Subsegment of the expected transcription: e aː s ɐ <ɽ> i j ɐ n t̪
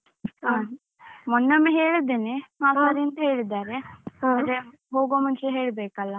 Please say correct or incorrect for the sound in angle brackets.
incorrect